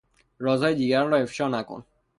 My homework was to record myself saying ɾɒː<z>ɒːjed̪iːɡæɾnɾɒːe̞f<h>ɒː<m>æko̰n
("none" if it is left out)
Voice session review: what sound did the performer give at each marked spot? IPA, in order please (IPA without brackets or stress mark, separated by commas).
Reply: z, ʃ, n